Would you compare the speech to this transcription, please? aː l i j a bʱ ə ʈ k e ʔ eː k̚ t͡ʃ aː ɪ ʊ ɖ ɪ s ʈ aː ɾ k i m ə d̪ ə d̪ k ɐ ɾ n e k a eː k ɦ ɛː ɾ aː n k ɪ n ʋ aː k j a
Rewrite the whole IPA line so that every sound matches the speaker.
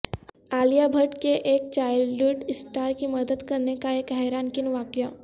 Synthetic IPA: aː l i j a bʱ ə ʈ k e ʔ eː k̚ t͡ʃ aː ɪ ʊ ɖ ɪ s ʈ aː ɾ k i m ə d̪ ə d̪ k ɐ ɾ n e k a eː k ɦ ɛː ɾ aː n k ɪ n ʋ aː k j a